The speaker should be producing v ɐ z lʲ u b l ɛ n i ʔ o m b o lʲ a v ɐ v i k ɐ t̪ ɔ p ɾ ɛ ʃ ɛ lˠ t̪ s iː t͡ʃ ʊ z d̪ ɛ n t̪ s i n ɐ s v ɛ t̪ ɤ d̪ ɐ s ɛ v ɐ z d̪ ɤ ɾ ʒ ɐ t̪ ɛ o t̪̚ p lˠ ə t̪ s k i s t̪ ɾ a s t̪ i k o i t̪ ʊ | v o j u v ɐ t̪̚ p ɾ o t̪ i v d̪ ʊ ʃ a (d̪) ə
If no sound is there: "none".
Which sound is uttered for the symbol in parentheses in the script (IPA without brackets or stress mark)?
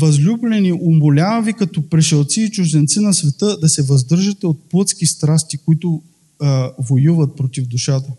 t̪